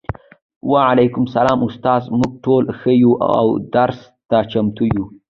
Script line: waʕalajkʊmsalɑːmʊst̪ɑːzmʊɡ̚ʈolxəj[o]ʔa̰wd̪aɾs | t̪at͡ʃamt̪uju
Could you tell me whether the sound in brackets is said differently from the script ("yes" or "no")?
yes